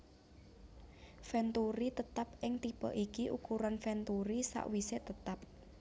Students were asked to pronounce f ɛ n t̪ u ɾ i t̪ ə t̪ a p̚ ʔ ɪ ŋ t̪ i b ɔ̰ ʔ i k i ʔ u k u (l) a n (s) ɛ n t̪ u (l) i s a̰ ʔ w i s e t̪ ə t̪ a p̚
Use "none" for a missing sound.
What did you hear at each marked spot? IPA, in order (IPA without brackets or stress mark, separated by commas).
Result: ɾ, f, ɾ